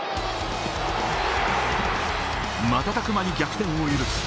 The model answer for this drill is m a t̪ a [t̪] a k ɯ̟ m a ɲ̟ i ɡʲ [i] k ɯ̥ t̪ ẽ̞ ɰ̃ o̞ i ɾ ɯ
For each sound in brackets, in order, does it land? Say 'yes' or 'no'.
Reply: yes, no

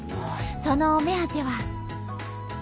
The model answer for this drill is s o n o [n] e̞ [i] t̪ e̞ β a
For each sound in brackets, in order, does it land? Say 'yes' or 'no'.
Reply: no, no

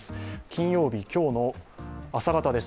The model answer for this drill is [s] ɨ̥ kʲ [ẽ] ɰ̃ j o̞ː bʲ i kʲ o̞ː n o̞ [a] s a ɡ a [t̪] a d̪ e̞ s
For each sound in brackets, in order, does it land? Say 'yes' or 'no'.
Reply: yes, no, yes, yes

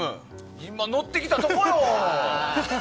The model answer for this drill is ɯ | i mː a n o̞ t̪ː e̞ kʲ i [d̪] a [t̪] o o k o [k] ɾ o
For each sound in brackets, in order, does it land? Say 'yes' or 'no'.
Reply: no, yes, yes

